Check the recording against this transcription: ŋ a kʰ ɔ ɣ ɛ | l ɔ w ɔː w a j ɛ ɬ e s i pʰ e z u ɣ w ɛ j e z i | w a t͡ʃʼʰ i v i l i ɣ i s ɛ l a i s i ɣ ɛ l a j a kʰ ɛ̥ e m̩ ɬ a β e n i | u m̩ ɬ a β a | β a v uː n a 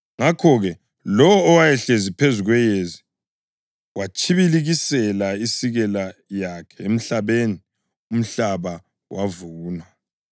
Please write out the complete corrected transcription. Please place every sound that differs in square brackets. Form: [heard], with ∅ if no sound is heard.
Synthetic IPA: ŋ a kʰ ɔ ɣ ɛ | l ɔ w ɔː w a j ɛ ɬ e [z] i pʰ e z u ɣ w ɛ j e z i | w a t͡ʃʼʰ i [β] i l i ɣ i s ɛ l a i s i ɣ ɛ l a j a kʰ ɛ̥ e m̩ ɬ a β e n i | u m̩ ɬ a β a | [w] a v uː n a